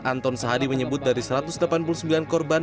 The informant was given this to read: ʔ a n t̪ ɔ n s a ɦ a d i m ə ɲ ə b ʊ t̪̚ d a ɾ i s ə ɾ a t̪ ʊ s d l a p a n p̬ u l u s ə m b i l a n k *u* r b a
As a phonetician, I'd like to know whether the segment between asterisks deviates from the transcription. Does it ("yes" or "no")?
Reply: yes